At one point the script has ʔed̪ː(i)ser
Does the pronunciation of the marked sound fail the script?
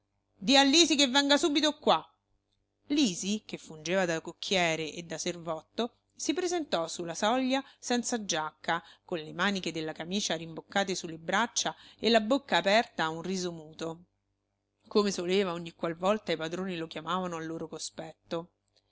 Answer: yes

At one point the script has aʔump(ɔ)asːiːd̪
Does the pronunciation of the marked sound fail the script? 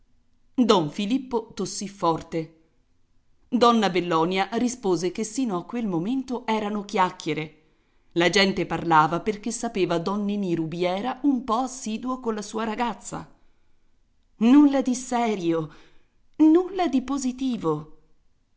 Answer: no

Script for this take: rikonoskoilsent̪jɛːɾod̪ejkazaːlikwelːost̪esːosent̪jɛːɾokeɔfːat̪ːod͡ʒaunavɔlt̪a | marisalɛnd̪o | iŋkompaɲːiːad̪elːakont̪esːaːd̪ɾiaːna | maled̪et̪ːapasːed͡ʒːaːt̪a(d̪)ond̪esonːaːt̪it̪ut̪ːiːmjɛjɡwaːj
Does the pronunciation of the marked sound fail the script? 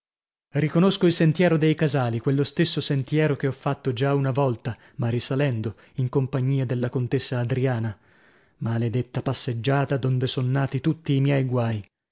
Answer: no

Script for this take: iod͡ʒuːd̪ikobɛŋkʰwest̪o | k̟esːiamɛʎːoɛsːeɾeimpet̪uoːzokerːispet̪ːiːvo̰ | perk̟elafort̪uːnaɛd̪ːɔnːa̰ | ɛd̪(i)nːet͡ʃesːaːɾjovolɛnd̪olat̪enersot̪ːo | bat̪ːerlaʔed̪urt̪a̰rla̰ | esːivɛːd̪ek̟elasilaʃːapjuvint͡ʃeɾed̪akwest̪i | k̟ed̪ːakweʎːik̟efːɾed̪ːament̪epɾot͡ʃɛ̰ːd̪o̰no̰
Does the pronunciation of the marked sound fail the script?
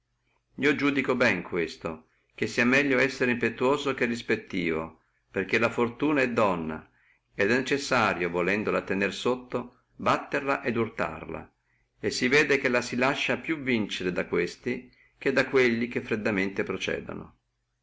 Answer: yes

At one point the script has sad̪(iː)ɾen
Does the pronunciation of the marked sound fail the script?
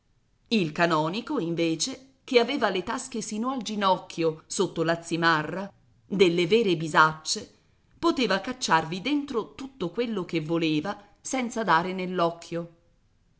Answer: yes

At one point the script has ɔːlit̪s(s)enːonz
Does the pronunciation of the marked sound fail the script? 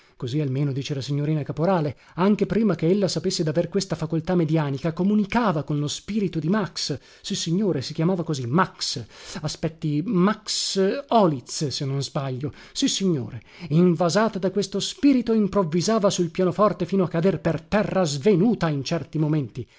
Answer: no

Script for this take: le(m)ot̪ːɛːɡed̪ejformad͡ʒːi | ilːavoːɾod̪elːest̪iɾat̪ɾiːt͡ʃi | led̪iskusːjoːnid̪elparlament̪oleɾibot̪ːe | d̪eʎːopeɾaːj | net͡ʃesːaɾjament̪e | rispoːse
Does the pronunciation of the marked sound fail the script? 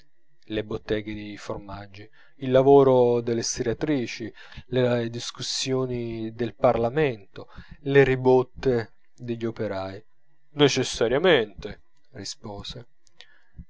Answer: yes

